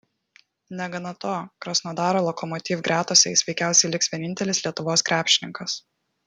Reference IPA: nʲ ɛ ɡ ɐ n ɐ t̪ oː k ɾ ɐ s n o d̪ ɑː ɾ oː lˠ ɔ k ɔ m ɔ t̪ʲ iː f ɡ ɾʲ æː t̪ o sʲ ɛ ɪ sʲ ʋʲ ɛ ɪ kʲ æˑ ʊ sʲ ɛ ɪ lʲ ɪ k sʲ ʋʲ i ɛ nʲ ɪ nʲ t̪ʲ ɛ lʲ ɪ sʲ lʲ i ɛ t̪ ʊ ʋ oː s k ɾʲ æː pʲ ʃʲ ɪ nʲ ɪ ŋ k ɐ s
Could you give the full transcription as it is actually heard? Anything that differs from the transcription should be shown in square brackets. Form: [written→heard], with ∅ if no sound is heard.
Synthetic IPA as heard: nʲ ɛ ɡ ɐ n ɐ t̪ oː k ɾ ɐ s n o d̪ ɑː ɾ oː lˠ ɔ k ɔ m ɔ t̪ʲ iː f ɡ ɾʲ æː t̪ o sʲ ɛ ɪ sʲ ʋʲ ɛ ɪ kʲ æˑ ʊ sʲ ɛ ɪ lʲ ɪ k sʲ ʋʲ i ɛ nʲ ɪ nʲ t̪ʲ ɛ lʲ ɪ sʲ lʲ i ɛ t̪ ʊ ʋ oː s k ɾʲ æː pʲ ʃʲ ɪ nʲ ɪ ŋ k ɐ s